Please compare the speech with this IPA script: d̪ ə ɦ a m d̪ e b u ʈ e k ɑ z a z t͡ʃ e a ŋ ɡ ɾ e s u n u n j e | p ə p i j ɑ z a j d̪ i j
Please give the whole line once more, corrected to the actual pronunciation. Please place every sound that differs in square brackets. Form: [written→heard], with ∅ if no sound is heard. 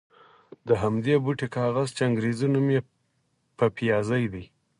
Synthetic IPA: d̪ ə ɦ a m d̪ e b u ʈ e k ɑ [z→ɣ] a z t͡ʃ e a ŋ ɡ ɾ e [s→z] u n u [n→m] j e | p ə p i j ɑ z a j d̪ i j

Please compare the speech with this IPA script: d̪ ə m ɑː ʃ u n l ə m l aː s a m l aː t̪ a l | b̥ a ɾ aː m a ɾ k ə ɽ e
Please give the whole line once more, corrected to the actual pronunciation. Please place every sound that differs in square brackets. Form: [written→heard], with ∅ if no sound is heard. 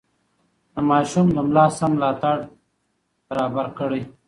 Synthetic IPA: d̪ ə m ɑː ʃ u [n→m] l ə m l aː s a m l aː t̪ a [l→ɽ] | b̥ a ɾ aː [m→b] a ɾ k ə ɽ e

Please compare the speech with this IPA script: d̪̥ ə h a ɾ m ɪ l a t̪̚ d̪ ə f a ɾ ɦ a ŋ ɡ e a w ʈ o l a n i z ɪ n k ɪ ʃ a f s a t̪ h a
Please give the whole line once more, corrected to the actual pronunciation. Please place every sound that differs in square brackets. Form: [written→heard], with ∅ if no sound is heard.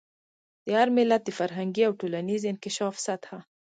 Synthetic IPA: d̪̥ ə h a ɾ m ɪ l a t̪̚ d̪ ə f a ɾ ɦ a ŋ ɡ [e→i] a w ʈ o l a n i z ɪ n k ɪ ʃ [a→ɑ] f s a t̪ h a

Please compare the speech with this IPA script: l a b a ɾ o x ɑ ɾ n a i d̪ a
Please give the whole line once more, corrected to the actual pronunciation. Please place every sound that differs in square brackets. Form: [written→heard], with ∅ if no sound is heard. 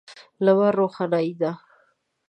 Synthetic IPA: l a [b→w] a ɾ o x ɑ [ɾ→∅] n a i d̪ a

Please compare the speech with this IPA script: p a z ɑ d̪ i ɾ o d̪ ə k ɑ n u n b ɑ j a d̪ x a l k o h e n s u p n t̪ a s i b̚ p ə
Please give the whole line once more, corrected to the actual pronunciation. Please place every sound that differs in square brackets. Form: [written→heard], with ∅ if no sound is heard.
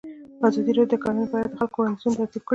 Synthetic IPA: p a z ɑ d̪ i ɾ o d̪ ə k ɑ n u n b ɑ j a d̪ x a l k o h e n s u [p→∅] n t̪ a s i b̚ [p→k] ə

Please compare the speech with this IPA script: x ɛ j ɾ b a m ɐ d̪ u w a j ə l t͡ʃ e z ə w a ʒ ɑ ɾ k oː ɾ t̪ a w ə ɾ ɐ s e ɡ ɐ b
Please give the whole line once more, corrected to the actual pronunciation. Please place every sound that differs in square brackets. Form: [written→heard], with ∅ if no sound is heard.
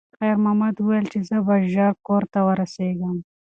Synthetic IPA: x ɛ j ɾ [b→m] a m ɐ d̪ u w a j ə l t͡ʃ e z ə [w→b] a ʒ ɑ ɾ k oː ɾ t̪ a w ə ɾ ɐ s e ɡ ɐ [b→m]

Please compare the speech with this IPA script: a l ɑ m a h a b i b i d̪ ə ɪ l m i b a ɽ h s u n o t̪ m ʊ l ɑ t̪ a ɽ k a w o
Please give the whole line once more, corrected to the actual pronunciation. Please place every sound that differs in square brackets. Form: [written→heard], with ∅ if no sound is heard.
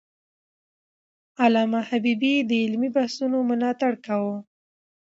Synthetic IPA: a l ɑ m a h a b i b i d̪ ə ɪ l m i b a [ɽ→∅] h s u n o [t̪→∅] m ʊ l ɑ t̪ a ɽ k a w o

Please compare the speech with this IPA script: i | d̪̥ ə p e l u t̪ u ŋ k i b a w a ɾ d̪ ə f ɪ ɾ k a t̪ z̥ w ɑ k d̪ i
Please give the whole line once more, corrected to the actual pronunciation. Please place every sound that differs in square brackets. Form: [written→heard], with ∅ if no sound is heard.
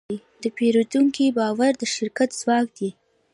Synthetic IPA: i | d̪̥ ə p e [l→ɾ] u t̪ u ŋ k i b [a→ɑ] w a ɾ d̪ ə [f→ʃ] ɪ ɾ k a t̪ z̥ w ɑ k d̪ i

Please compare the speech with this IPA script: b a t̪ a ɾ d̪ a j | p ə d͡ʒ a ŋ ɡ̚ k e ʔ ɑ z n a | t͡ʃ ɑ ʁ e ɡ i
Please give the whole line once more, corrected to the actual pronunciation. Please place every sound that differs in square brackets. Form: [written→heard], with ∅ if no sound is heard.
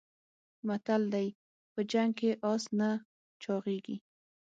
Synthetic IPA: [b→m] a t̪ a [ɾ→l] d̪ a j | p ə d͡ʒ a ŋ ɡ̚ k e ʔ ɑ [z→s] n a | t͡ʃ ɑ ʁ e ɡ i

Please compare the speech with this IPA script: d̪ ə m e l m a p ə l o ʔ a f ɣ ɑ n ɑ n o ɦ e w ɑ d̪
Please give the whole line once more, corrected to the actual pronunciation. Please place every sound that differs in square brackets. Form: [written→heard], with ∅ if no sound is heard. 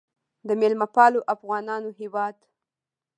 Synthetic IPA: d̪ ə m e l m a p [ə→ɑ] l o ʔ a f ɣ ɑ n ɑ n o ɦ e w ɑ d̪

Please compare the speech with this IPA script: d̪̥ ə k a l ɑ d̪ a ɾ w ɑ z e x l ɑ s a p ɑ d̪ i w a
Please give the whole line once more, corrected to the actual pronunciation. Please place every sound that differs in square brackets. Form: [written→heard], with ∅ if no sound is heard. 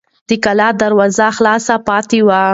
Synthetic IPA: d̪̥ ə k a l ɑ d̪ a ɾ w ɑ z [e→a] x l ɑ s a p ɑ [d̪→t̪] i w a

